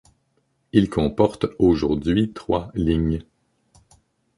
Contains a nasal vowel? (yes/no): yes